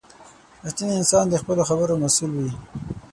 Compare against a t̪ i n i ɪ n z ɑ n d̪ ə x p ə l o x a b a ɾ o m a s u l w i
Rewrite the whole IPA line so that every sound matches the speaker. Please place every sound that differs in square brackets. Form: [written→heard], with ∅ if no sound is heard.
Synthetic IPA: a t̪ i n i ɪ n [z→s] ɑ n d̪ ə x p ə l o x a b [a→ə] ɾ o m a s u l w i